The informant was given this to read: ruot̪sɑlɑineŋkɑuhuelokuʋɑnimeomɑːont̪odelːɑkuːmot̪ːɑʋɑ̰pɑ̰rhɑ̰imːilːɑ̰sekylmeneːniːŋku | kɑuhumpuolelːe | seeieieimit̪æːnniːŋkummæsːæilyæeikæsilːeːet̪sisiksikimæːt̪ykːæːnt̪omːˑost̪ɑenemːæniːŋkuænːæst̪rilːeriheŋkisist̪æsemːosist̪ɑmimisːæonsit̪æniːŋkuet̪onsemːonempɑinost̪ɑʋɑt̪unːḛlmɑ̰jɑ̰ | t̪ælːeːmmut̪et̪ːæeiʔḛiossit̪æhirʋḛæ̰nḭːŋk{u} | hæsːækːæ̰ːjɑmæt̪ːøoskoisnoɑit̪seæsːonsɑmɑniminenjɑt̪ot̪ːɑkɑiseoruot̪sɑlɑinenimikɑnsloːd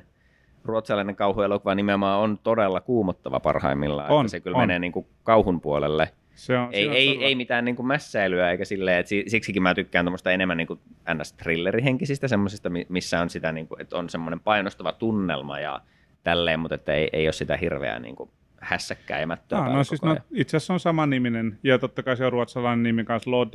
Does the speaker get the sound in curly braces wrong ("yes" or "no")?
no